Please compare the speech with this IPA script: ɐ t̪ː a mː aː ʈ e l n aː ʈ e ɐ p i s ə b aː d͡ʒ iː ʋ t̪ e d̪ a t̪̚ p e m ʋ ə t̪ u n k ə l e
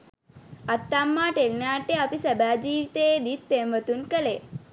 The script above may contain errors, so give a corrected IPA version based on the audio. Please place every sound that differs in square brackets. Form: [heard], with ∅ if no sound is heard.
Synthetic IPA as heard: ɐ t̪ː a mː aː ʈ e l n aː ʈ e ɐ p i s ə b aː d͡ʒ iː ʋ t̪ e d̪ [i] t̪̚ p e m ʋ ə t̪ u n k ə l e

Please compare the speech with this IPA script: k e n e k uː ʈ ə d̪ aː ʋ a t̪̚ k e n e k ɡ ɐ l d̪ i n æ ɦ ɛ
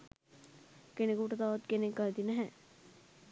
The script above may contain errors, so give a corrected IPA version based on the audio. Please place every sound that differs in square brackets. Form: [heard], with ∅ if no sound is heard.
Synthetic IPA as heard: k e n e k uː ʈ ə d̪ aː ʋ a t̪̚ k e n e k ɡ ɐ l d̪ i n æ ɦ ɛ

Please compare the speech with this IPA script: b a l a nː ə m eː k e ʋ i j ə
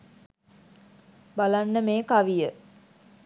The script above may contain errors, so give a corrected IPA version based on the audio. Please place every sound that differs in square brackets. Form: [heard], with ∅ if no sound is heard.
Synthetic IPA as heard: b a l a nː ə m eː k [a] ʋ i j ə

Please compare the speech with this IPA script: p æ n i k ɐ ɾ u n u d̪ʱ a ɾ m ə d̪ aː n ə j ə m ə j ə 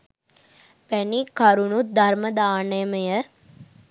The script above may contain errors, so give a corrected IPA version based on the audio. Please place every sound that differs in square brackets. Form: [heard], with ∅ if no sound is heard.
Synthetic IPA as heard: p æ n i k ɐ ɾ u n u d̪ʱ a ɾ m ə d̪ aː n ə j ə m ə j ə

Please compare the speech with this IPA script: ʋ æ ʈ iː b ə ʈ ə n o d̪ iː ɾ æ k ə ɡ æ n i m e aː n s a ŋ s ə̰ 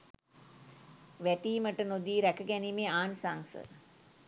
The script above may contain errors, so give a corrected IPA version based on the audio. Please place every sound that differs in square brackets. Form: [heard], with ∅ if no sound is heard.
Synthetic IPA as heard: ʋ æ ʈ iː [m] ə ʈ ə n o d̪ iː ɾ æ k ə ɡ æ n i m e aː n s a ŋ s ə̰

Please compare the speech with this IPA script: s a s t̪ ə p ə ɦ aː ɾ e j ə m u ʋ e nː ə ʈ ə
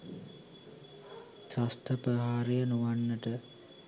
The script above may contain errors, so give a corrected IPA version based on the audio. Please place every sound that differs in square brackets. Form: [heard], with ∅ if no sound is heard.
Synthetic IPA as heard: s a s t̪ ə p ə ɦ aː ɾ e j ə [n] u ʋ [a] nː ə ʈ ə

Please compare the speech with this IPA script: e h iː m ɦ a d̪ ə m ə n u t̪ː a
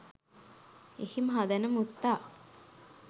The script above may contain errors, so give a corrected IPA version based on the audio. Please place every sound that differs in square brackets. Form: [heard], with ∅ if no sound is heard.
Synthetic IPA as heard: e h [i] m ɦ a d̪ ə [n] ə [m] u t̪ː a

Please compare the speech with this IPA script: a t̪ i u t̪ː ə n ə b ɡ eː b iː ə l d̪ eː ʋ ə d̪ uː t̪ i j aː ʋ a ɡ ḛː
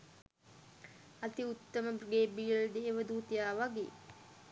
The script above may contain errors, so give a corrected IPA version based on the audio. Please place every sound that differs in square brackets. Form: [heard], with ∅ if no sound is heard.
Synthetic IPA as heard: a t̪ i u t̪ː ə [m] ə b ɡ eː b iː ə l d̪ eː ʋ ə d̪ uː t̪ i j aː ʋ a ɡ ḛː

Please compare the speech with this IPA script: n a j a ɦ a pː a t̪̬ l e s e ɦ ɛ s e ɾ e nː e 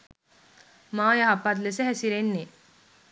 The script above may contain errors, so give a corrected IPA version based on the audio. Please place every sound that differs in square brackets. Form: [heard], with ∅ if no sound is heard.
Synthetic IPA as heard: [m] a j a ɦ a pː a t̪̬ l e s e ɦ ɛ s [i] ɾ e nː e

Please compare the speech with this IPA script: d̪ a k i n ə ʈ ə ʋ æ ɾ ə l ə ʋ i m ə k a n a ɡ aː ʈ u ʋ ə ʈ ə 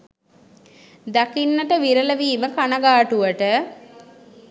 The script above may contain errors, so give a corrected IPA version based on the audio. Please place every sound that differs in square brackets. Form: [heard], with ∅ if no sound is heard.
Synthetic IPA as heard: d̪ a k i [nː] ə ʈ ə ʋ [i] ɾ ə l ə ʋ [iː] m ə k a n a ɡ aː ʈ u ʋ ə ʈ ə

